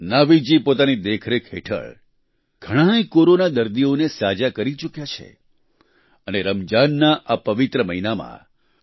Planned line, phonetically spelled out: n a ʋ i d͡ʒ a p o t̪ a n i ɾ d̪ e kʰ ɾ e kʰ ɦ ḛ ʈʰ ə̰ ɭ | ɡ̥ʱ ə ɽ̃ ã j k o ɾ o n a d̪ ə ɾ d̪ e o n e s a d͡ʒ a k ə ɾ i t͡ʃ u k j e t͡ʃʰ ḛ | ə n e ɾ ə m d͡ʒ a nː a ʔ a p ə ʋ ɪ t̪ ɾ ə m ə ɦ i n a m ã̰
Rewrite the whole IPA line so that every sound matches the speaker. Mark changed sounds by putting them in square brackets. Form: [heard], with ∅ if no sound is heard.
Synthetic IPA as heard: n a ʋ i d͡ʒ [i] p o t̪ a n i [∅] d̪ e kʰ ɾ e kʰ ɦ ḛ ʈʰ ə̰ ɭ | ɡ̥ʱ ə ɽ̃ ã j k o ɾ o n a d̪ ə ɾ d̪ [i] o n e s a d͡ʒ a k ə ɾ i t͡ʃ u k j [a] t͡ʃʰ ḛ | ə n e ɾ ə m d͡ʒ a nː a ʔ a p ə ʋ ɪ t̪ ɾ ə m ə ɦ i n a m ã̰